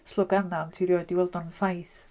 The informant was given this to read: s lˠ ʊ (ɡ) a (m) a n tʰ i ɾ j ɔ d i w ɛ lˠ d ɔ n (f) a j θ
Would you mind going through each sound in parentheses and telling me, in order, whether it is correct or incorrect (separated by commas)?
correct, incorrect, correct